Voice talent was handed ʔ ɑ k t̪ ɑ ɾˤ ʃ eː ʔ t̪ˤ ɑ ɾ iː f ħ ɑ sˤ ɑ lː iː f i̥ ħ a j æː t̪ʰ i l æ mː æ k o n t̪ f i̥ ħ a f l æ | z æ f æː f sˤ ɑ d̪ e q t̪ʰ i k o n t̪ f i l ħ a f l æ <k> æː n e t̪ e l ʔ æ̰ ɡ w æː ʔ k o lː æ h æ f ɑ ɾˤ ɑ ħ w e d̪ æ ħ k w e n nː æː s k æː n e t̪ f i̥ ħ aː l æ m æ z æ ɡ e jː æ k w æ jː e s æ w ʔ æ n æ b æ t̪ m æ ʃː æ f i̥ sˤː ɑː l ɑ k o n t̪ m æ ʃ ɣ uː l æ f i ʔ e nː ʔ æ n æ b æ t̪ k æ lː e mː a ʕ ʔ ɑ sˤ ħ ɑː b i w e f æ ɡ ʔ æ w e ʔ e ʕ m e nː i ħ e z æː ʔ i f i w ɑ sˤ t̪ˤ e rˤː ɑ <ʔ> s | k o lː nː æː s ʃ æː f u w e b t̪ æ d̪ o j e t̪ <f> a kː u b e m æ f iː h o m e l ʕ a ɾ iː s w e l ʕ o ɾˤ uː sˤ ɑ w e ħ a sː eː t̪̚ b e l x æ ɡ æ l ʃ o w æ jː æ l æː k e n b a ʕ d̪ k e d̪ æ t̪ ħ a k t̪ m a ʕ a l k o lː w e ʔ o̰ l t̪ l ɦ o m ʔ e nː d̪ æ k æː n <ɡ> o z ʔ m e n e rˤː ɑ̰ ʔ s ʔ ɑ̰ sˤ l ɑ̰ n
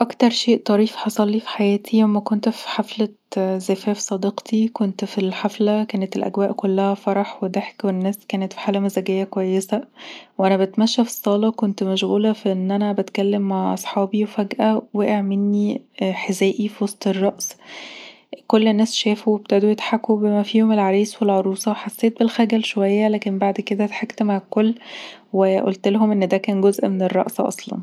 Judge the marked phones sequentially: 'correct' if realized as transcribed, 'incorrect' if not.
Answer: correct, correct, incorrect: ħ, correct

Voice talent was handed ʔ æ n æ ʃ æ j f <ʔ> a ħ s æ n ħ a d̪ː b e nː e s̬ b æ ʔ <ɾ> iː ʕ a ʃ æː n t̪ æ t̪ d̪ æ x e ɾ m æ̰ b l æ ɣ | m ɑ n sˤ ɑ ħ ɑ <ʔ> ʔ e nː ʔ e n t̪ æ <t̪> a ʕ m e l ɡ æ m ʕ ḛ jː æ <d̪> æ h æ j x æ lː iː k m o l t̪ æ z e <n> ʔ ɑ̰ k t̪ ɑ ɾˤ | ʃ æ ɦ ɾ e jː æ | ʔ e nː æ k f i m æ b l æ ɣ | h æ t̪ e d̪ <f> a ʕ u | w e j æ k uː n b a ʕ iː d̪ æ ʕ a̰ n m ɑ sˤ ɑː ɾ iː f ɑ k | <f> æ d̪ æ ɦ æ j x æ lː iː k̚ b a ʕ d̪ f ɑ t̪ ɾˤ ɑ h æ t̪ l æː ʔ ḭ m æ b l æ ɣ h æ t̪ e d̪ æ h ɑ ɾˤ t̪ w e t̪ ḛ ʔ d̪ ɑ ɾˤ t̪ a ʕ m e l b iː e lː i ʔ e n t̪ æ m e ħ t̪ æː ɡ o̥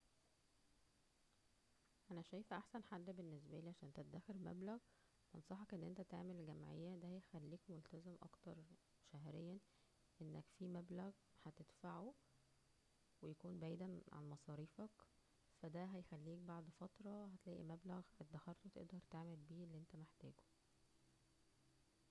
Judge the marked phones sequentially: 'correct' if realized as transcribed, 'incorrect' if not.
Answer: correct, incorrect: l, incorrect: k, correct, correct, incorrect: m, correct, correct

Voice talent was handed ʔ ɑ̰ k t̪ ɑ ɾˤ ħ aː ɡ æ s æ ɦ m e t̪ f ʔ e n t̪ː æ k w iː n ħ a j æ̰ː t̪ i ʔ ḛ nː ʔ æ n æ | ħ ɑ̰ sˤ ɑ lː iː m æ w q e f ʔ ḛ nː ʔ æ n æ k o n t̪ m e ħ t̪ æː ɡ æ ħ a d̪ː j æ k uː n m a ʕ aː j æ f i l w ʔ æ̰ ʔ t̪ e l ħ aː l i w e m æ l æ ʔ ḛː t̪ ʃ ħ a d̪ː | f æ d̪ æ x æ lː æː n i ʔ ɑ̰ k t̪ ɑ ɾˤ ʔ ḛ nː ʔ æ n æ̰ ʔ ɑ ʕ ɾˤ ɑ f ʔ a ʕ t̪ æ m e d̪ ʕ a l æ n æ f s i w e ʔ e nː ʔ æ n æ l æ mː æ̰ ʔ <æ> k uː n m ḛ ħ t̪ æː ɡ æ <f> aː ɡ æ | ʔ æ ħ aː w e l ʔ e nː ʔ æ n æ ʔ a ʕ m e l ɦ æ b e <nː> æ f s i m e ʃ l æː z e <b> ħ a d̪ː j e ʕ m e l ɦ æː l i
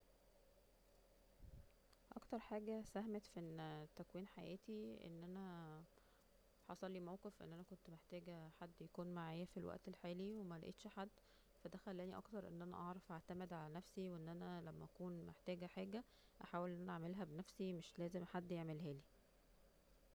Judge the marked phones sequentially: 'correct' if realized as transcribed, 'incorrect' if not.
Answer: correct, incorrect: ħ, incorrect: n, incorrect: m

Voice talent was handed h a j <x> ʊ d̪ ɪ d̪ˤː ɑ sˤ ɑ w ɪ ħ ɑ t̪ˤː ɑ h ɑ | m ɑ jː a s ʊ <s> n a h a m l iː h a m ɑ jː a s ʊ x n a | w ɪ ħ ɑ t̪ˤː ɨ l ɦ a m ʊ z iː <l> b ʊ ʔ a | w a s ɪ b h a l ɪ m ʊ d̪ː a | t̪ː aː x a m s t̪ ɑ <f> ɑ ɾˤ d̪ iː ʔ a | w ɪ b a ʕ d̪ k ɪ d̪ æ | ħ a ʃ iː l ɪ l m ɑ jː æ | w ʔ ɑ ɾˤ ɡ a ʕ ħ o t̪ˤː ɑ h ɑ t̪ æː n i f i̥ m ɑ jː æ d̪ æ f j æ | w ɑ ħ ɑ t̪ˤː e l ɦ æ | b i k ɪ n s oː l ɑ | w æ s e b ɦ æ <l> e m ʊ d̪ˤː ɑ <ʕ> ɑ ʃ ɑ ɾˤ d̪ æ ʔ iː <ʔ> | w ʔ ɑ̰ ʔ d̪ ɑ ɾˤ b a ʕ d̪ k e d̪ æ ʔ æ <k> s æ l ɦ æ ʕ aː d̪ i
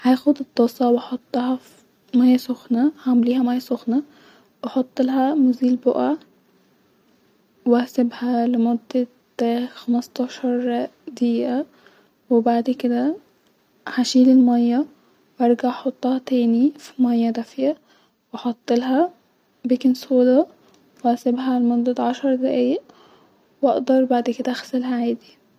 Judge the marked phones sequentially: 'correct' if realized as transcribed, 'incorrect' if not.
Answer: correct, incorrect: x, correct, incorrect: ʃ, correct, correct, correct, incorrect: x

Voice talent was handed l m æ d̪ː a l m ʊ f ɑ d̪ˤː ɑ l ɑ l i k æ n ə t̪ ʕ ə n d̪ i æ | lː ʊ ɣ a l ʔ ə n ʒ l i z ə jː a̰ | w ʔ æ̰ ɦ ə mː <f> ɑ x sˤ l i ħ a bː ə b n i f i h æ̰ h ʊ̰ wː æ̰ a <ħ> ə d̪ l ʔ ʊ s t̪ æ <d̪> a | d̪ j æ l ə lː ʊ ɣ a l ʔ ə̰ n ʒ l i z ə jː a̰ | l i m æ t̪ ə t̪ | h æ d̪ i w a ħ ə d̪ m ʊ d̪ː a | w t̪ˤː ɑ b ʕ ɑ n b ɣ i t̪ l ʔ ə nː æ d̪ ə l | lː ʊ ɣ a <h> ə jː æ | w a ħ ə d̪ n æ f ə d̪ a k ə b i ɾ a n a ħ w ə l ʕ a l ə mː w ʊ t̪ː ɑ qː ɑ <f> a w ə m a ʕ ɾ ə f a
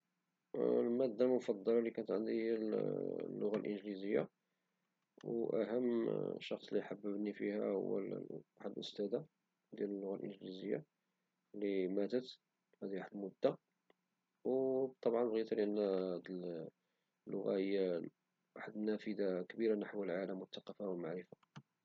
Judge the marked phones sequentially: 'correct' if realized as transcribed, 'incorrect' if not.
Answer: incorrect: ʃ, correct, correct, correct, correct

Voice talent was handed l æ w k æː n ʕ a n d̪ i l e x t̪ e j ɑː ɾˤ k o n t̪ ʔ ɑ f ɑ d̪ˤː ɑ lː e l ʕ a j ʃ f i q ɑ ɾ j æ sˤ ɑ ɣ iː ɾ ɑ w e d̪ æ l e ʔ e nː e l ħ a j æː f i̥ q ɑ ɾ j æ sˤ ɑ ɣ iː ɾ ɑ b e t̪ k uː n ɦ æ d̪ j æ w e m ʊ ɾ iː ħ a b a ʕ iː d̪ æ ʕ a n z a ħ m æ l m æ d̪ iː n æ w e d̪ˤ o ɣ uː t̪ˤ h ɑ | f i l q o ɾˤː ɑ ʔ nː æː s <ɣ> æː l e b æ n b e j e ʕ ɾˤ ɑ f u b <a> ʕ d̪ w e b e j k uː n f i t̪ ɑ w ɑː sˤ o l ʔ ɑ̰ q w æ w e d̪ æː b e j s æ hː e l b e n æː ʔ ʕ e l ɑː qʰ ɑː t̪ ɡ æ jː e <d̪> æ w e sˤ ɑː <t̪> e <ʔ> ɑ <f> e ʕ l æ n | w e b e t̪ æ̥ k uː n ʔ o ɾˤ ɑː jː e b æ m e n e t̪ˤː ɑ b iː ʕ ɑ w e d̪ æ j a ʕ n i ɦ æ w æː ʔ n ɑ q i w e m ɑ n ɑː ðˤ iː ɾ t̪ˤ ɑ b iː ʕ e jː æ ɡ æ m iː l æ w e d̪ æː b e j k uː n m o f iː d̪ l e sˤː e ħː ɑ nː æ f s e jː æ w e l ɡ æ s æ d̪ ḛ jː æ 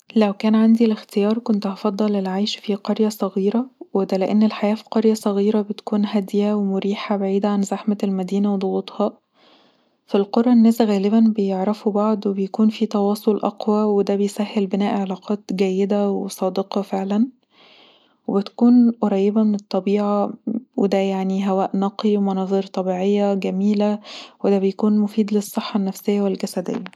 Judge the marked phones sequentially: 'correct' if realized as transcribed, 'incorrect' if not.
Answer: correct, incorrect: ɑ, correct, incorrect: d̪, incorrect: q, correct

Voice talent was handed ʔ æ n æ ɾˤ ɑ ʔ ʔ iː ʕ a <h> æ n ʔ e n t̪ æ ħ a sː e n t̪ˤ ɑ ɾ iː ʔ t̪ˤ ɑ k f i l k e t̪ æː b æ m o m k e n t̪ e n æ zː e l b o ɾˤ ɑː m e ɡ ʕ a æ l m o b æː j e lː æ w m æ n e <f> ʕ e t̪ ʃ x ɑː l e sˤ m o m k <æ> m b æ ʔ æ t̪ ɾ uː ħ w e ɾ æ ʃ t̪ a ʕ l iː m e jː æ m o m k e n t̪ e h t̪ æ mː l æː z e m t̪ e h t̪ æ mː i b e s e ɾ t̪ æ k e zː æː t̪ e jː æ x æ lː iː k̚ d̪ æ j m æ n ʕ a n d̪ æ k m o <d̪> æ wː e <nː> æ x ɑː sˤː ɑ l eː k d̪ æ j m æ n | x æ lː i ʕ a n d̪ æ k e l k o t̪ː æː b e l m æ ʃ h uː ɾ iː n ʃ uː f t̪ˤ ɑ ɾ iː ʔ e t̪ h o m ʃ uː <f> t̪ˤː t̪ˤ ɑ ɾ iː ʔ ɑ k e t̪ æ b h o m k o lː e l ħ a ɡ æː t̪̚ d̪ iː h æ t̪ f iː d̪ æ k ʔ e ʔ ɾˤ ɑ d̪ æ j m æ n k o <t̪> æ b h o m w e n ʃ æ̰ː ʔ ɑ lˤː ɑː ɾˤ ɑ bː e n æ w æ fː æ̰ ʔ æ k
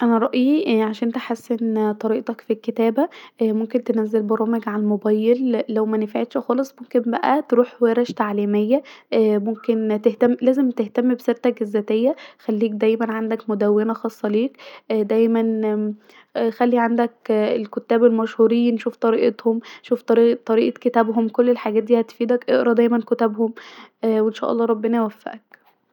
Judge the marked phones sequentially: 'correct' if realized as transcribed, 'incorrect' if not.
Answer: incorrect: ʃ, correct, incorrect: e, correct, incorrect: n, correct, correct

